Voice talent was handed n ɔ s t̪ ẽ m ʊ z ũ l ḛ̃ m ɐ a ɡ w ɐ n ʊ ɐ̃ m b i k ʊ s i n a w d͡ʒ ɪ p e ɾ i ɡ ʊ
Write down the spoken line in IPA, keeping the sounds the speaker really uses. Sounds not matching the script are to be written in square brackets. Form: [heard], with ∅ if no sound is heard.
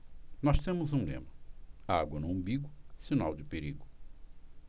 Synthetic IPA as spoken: n ɔ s t̪ ẽ m ʊ z ũ l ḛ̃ m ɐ a ɡ w ɐ n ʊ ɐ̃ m b i [ɡ] ʊ s i n a w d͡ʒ ɪ p e ɾ i ɡ ʊ